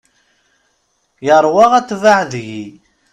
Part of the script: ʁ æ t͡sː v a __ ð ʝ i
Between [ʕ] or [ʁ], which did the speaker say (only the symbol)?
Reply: ʕ